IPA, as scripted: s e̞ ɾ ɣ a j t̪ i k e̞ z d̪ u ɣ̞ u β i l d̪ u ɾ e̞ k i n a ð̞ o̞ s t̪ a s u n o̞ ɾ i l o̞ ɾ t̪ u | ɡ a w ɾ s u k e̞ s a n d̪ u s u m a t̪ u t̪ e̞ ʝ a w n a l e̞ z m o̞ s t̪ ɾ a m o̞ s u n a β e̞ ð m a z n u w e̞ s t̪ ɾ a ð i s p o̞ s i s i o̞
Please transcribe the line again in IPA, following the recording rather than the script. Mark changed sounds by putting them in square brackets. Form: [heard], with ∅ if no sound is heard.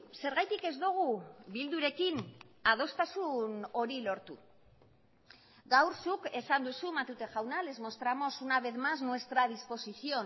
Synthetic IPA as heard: s e̞ ɾ ɣ a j t̪ i k e̞ z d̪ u ɣ̞ u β i l d̪ u ɾ e̞ k i n a ð̞ o̞ s t̪ a s u n o̞ ɾ i l o̞ ɾ t̪ u | ɡ a w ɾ s u k e̞ s a n d̪ u s u m a t̪ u t̪ e̞ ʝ a w n a l e̞ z m o̞ s t̪ ɾ a m o̞ s u n a β e̞ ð m a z n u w e̞ s t̪ ɾ a ð i s p o̞ s i s i o̞